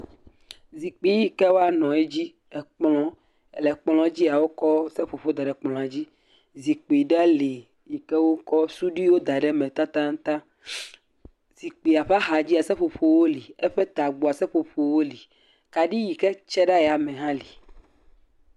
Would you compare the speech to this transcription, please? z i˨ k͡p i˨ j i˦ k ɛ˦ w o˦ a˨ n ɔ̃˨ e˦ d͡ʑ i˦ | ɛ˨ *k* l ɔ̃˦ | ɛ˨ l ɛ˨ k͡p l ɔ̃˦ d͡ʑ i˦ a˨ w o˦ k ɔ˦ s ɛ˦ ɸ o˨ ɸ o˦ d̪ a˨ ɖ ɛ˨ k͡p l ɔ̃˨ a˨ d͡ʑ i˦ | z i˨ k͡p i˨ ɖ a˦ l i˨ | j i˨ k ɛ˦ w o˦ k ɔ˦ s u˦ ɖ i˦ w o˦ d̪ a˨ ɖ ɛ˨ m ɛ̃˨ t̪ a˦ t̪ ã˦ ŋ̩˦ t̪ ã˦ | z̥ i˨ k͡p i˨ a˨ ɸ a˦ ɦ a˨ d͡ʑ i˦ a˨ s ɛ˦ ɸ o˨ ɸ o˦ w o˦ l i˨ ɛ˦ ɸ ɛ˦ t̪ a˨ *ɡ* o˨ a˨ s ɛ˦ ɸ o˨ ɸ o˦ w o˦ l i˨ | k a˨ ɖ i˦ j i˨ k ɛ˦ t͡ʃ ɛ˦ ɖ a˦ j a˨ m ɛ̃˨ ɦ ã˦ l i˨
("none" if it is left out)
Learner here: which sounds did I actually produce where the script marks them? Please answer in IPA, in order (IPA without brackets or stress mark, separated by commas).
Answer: k͡p, ɡ͡b